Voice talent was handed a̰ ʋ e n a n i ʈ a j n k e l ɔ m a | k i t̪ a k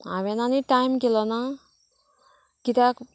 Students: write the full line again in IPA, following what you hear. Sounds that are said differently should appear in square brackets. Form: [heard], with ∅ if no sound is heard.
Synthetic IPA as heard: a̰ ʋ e n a n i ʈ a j [m] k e l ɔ [n] a | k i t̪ a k